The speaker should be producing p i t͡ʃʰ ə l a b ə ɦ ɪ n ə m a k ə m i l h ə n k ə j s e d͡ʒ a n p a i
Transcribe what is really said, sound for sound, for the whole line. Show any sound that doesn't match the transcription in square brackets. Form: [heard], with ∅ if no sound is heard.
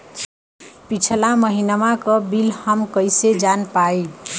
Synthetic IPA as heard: p i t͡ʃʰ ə l a [m] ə ɦ [i] n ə m a k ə [b] i l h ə [m] k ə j s e d͡ʒ a n p a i